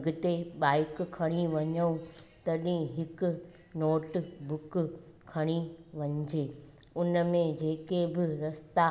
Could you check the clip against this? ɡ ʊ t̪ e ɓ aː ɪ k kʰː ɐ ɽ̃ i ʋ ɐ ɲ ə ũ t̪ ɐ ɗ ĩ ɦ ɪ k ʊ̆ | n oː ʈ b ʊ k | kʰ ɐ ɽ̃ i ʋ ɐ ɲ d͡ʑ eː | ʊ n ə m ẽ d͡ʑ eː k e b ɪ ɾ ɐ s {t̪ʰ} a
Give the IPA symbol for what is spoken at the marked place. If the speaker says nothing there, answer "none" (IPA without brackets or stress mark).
t̪